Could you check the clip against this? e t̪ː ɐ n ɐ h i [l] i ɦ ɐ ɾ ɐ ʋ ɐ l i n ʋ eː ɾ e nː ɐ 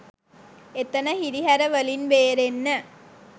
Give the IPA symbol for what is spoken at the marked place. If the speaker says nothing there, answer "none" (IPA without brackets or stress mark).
ɾ